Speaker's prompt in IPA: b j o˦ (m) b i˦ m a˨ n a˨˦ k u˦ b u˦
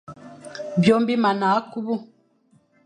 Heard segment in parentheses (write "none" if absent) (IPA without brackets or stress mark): m